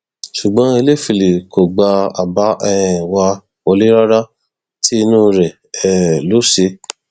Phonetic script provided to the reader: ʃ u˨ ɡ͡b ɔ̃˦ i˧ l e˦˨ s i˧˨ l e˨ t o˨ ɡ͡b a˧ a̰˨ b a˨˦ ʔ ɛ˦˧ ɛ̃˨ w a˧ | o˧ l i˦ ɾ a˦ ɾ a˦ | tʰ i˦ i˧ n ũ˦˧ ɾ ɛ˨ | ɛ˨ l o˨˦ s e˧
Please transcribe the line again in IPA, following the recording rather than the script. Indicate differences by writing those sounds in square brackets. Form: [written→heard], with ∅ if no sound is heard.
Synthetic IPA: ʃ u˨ ɡ͡b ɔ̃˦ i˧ l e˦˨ [s→f] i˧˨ l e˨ [t→k] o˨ ɡ͡b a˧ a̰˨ b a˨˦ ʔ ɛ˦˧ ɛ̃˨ w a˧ | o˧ l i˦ ɾ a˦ ɾ a˦ | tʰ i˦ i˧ n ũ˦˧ ɾ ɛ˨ | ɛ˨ l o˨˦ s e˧